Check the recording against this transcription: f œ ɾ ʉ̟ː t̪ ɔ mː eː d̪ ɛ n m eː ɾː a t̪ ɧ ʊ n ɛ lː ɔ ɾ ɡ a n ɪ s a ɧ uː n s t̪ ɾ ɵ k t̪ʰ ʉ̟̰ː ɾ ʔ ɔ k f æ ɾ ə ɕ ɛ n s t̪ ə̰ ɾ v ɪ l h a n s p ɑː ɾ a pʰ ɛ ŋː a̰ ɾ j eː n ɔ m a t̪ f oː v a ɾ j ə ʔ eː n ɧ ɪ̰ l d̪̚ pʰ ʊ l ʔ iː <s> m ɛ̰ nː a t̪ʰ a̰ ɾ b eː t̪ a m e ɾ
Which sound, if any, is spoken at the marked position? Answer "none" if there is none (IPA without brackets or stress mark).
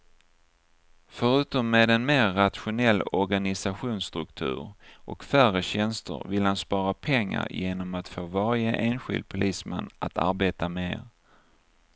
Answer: s